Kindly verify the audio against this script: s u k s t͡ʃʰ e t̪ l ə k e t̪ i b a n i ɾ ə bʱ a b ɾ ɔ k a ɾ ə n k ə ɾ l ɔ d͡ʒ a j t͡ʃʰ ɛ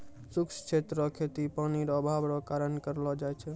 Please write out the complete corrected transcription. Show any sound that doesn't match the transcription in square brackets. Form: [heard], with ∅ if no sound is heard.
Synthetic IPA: s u k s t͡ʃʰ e t̪ [ɾ] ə [kʰ] e t̪ i [p] a n i ɾ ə bʱ a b ɾ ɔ k a ɾ ə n k ə ɾ l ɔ d͡ʒ a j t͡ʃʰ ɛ